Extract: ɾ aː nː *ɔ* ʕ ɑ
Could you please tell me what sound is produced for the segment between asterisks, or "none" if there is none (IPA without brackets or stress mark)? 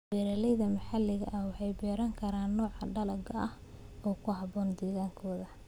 ɔː